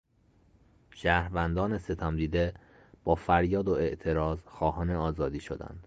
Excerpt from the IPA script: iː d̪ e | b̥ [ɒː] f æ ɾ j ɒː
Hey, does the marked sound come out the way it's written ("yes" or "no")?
yes